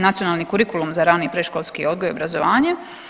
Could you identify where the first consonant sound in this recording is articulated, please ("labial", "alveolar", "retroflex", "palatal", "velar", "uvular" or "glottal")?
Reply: alveolar